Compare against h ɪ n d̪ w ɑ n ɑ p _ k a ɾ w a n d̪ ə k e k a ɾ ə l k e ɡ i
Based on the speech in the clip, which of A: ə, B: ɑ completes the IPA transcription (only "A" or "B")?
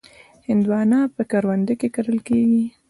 A